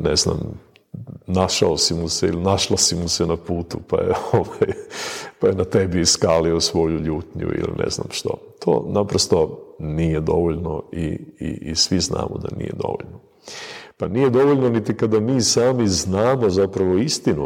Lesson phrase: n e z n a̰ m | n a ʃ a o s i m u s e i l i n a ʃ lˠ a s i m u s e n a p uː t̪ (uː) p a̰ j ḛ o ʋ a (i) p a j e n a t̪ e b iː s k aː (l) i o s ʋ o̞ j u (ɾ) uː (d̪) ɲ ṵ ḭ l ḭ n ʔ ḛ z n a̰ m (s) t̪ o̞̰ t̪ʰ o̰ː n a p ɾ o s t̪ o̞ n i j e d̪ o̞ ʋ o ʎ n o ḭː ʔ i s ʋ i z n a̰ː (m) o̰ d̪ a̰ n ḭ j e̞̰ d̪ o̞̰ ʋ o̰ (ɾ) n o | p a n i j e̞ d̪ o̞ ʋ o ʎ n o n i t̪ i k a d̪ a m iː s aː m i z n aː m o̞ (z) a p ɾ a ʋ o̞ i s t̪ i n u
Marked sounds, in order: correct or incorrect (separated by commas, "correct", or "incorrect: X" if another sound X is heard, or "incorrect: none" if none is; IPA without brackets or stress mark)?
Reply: incorrect: u, incorrect: j, correct, incorrect: ʎ, incorrect: t̪, incorrect: ʃ, correct, incorrect: ʎ, correct